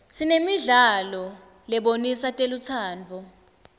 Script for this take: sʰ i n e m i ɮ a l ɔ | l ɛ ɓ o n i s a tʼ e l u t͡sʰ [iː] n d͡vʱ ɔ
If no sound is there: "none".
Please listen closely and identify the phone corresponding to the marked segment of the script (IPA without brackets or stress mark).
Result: aː